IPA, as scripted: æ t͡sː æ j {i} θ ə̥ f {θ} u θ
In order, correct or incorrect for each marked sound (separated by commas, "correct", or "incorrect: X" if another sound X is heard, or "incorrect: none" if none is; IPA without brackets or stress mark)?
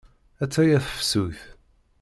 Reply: incorrect: æ, incorrect: s